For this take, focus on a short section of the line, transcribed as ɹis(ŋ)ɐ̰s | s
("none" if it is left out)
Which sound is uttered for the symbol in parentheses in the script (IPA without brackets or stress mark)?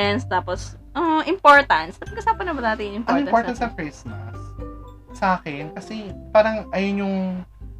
m